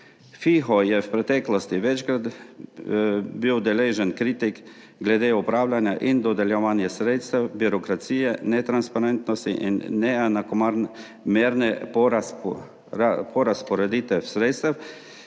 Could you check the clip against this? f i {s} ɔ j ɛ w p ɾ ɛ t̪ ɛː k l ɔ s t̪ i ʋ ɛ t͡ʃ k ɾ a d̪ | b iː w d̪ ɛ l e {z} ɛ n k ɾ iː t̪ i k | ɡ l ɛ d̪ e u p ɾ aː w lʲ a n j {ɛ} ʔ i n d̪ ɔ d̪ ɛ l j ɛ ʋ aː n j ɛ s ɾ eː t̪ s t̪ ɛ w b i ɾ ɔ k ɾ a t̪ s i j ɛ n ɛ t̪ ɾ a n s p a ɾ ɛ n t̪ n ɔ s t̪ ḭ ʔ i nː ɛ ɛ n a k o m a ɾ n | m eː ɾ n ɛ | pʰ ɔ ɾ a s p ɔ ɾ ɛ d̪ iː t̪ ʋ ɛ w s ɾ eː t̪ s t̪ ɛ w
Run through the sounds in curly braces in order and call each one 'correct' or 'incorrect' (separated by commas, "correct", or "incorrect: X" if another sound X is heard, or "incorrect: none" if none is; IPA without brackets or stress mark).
incorrect: x, incorrect: ʒ, incorrect: a